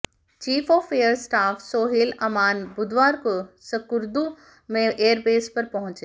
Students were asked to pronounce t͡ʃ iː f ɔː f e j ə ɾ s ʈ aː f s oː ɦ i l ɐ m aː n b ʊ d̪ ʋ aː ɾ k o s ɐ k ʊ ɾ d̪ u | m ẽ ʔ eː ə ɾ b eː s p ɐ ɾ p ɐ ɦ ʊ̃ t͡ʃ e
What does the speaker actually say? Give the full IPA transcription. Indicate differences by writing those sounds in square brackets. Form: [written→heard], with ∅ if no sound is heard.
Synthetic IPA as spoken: t͡ʃ iː f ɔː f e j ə ɾ s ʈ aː f s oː ɦ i l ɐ m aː n b ʊ d̪ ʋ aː ɾ k o s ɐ k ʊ ɾ d̪ u | m ẽ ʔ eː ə ɾ b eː s p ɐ ɾ p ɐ ɦ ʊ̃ t͡ʃ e